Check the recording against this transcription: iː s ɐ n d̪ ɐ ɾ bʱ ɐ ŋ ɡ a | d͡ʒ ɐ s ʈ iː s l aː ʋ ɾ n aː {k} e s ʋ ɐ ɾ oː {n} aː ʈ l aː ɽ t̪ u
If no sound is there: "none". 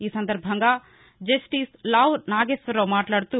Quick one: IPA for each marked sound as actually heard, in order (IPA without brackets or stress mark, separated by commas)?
ɡ, m